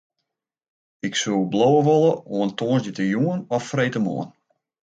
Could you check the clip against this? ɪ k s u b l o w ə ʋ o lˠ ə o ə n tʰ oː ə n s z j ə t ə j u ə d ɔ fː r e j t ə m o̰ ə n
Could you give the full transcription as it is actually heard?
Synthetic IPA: ɪ k s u b l o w ə ʋ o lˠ ə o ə n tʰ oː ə n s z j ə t ə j u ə n ɔ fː r e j t ə m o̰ ə n